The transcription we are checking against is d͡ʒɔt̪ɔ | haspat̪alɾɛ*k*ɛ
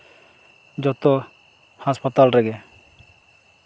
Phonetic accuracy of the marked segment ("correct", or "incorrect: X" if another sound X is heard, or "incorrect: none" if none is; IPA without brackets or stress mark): incorrect: ɡ